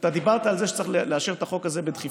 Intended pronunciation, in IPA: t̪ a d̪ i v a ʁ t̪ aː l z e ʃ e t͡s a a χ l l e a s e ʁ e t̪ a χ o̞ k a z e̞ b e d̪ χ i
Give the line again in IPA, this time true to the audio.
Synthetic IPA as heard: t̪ a d̪ i b a ʁ t̪ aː l z e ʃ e t͡s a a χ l l e a ʃ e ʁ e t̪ a χ o̞ k a z e̞ b e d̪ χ i